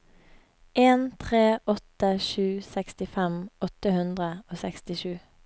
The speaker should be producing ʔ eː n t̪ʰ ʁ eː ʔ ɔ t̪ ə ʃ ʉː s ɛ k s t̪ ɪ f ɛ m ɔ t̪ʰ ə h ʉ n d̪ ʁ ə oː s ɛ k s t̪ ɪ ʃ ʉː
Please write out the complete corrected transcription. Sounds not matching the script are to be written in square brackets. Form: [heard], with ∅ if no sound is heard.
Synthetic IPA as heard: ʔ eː n t̪ʰ ʁ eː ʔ ɔ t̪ ə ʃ ʉː s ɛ k s t̪ ɪ f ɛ m ɔ [t̪] ə h ʉ n d̪ ʁ ə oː s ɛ k s t̪ ɪ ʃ ʉː